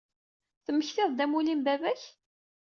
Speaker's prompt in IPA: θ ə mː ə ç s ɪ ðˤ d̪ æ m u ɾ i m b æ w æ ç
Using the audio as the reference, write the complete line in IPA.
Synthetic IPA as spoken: θ ə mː ə ç θ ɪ ðˤ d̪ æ m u l i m b æ v æ ç